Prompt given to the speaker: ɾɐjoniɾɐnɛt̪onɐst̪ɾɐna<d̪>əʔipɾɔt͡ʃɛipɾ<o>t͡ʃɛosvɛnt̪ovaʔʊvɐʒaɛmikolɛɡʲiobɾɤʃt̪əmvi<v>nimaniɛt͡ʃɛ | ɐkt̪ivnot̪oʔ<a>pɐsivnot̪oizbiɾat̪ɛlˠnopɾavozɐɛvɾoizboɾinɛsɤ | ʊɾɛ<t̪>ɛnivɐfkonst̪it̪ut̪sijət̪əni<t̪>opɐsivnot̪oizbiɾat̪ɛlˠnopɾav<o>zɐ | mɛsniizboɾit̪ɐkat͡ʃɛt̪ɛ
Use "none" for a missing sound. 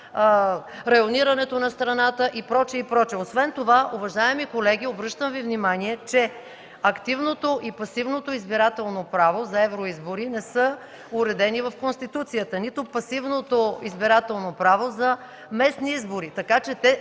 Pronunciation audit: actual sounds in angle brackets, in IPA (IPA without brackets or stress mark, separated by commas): t̪, ɔ, v, i, d̪, t̪, o